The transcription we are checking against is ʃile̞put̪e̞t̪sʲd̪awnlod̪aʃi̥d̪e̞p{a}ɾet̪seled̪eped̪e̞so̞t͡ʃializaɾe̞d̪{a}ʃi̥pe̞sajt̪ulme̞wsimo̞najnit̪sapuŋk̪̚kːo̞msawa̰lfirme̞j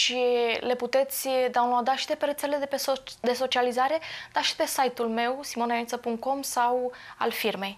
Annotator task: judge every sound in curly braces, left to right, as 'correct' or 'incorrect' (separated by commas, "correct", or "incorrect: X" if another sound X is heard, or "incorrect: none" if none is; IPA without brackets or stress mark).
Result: incorrect: e, correct